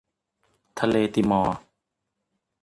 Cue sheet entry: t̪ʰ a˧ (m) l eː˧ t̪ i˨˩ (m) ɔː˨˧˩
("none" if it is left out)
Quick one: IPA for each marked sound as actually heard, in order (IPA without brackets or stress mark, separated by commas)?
none, m